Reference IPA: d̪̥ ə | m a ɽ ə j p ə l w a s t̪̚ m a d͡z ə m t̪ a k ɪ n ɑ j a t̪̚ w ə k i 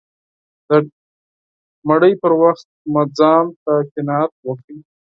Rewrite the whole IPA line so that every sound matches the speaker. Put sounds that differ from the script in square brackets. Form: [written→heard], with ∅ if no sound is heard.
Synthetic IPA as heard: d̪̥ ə | m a ɽ ə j p ə [l→ɾ] w a [s→x] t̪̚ m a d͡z [ə→ɑ] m t̪ a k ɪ n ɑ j a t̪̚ w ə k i